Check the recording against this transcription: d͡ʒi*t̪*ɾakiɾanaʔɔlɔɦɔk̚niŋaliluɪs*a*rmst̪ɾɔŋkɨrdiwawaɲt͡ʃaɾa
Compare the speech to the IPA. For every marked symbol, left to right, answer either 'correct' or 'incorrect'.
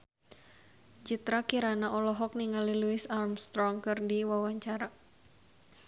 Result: correct, correct

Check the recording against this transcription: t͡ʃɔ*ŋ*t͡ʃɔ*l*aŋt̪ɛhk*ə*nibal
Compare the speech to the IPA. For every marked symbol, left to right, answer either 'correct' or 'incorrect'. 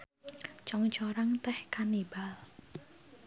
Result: correct, incorrect, incorrect

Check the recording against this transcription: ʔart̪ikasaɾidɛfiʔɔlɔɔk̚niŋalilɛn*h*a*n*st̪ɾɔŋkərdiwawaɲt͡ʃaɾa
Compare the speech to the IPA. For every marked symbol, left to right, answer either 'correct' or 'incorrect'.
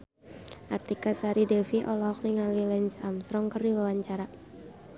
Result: incorrect, incorrect

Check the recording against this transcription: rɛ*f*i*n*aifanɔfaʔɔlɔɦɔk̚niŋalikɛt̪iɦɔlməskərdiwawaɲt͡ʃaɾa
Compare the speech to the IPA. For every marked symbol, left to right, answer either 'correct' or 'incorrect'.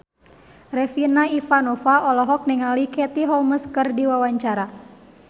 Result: correct, correct

